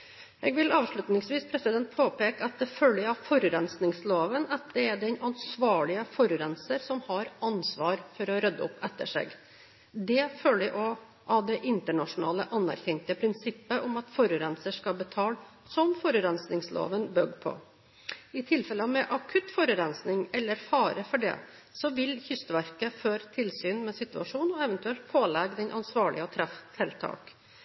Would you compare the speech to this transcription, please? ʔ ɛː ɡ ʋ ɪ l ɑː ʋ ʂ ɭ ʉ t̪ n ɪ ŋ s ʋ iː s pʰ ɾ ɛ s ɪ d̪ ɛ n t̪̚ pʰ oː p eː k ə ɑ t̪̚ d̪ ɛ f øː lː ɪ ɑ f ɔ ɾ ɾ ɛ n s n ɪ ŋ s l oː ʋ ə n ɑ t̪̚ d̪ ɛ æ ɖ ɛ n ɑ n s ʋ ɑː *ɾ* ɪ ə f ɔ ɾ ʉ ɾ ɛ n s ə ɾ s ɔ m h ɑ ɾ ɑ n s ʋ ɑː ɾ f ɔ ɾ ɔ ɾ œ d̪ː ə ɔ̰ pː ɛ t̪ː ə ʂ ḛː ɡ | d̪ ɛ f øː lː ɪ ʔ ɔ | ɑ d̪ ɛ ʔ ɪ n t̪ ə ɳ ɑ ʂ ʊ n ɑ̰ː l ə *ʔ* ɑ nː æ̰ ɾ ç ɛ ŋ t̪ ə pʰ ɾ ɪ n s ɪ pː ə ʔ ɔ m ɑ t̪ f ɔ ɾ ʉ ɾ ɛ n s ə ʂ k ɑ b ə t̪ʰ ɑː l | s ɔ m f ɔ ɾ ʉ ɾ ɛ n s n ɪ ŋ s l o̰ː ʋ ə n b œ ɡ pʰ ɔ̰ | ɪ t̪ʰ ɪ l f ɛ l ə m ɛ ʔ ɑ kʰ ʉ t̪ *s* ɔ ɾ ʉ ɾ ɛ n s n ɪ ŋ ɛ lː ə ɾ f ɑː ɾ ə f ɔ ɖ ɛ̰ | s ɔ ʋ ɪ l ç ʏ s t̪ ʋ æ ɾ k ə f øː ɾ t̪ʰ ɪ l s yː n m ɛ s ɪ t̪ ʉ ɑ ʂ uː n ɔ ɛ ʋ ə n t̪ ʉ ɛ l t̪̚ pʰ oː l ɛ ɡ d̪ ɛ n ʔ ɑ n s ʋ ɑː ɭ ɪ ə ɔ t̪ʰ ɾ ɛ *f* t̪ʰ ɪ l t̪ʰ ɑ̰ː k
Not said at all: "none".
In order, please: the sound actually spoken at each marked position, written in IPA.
ɭ, ʔ, f, f

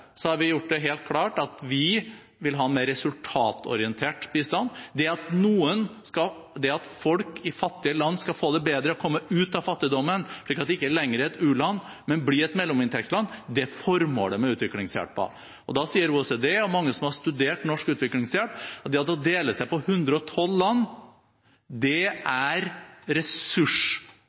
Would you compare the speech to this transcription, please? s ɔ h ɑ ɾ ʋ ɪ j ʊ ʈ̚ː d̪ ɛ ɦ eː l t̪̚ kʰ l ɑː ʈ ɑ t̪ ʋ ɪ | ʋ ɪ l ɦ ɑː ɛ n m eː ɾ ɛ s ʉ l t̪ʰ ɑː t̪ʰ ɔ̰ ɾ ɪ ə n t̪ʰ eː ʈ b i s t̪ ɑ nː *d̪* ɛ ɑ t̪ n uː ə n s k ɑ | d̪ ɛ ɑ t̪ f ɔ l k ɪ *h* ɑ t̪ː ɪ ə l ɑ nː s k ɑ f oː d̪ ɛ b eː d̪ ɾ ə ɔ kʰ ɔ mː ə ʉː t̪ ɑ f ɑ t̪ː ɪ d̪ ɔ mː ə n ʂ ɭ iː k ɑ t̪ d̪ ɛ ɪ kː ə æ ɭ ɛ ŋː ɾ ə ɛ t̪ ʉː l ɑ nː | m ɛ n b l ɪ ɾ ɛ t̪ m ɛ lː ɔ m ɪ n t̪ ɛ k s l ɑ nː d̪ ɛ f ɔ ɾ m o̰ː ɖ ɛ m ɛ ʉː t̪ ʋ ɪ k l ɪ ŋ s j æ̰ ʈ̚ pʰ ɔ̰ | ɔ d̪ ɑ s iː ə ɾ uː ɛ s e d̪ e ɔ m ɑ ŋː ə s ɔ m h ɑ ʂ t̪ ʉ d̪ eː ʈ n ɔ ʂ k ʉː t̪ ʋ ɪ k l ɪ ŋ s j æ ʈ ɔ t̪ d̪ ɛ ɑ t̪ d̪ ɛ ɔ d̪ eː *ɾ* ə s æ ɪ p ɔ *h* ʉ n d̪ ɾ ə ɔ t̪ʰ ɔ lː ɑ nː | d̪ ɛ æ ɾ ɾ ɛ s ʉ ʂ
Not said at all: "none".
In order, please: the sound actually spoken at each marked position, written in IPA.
d̪, f, l, h

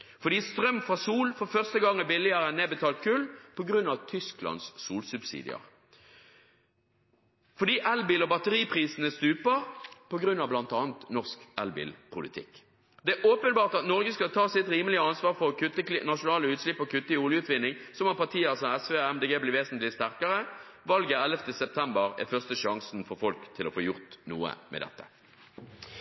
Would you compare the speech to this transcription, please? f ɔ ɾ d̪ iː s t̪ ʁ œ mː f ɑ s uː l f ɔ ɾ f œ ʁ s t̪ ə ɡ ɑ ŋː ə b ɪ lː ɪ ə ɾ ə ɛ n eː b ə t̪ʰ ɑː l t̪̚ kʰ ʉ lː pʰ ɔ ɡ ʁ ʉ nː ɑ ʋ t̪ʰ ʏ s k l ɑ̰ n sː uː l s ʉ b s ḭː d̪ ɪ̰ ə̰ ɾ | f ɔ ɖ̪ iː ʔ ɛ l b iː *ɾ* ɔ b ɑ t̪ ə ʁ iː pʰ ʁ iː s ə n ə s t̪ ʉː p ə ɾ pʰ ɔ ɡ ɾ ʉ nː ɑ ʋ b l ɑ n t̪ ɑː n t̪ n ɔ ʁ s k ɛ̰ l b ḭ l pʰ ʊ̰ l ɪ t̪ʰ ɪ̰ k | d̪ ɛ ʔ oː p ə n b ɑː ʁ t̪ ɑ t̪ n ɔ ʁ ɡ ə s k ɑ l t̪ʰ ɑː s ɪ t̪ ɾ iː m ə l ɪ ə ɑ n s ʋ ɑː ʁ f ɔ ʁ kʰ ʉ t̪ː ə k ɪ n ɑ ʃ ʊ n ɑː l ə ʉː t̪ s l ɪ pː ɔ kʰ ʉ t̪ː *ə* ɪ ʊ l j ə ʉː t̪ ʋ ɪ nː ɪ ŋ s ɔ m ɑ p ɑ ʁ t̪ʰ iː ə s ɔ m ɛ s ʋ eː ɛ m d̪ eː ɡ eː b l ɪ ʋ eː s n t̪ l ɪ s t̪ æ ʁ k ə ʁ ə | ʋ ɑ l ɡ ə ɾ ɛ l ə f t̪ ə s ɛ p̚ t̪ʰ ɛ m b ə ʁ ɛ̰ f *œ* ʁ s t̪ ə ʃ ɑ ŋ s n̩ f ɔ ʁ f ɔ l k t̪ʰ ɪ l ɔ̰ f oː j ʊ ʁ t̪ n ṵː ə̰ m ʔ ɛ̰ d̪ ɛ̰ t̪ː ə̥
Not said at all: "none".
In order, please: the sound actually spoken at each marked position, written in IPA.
l, ə, œ

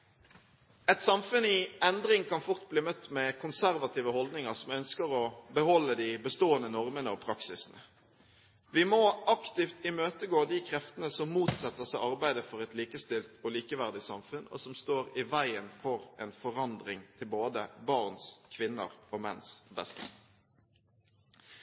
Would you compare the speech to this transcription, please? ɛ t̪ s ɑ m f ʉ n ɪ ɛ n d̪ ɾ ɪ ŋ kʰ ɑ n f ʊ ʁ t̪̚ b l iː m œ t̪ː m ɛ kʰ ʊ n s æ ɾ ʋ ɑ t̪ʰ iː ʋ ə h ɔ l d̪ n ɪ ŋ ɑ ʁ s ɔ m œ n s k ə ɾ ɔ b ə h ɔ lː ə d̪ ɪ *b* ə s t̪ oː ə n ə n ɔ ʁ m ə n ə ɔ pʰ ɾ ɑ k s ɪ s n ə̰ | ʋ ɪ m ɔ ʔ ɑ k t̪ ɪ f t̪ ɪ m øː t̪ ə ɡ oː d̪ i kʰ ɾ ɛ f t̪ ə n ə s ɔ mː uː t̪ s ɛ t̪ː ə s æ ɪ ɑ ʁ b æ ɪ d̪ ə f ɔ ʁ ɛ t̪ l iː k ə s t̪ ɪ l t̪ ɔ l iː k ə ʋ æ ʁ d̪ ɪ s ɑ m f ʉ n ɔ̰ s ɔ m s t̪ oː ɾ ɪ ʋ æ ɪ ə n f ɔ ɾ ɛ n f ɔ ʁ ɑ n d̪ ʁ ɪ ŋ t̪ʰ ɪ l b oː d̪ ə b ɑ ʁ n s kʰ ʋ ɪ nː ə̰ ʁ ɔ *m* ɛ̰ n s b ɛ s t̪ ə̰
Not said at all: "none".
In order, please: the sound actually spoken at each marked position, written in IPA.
b, m

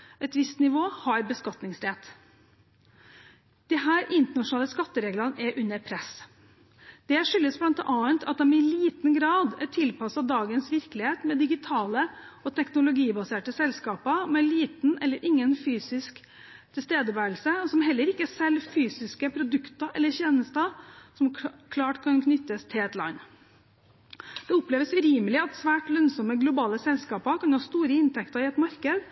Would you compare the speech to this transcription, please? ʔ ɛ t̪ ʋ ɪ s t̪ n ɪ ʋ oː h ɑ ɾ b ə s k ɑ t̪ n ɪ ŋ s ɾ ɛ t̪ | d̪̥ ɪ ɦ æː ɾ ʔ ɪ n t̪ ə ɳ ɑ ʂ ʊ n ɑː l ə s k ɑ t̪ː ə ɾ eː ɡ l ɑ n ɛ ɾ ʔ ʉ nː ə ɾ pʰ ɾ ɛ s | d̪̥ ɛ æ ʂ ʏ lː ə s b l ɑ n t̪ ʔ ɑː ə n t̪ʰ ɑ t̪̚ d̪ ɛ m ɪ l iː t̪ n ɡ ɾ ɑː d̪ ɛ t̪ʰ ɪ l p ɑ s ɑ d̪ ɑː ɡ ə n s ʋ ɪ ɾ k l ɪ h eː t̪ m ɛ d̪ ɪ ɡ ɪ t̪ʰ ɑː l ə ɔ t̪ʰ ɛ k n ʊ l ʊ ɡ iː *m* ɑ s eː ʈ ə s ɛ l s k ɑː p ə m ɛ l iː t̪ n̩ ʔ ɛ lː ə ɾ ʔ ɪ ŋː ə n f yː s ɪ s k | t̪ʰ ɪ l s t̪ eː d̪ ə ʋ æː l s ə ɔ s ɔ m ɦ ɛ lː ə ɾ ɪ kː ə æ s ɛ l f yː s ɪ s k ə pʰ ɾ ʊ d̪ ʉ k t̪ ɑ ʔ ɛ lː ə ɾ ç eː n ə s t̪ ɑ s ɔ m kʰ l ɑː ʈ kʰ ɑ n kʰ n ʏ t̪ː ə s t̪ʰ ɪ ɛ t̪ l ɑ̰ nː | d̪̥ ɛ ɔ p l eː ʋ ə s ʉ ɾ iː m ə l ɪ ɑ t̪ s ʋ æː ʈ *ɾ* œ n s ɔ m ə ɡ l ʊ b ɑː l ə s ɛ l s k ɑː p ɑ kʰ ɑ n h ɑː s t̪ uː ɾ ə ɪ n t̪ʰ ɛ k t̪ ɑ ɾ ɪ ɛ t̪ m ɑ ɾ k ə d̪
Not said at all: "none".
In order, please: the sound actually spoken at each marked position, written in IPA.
b, l

